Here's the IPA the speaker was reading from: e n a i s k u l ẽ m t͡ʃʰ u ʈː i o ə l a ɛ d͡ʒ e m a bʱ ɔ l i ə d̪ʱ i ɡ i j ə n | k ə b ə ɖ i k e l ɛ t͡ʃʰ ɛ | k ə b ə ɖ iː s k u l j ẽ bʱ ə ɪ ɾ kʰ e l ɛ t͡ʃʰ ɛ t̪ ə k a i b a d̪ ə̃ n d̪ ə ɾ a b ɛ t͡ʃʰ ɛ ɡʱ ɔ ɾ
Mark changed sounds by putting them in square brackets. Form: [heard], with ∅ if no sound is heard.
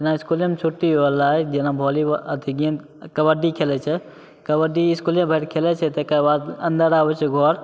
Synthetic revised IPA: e n a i s k u l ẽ m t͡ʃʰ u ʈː i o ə l a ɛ d͡ʒ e [n] a bʱ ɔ l i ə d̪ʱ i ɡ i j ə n | k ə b ə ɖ i [kʰ] e l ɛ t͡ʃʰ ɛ | k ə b ə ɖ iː s k u l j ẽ bʱ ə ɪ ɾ kʰ e l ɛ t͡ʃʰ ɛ t̪ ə k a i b a d̪ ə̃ n d̪ ə ɾ a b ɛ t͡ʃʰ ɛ ɡʱ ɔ ɾ